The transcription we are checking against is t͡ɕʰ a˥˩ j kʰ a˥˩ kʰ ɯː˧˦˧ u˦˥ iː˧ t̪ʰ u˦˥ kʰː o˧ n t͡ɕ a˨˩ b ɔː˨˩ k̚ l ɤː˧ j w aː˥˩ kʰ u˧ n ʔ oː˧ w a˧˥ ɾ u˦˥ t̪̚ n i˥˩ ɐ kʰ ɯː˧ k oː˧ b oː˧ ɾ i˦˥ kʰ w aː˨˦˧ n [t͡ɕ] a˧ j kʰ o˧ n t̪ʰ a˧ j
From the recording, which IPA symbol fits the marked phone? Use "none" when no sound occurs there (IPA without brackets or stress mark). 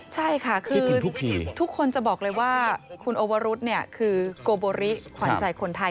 t͡ɕ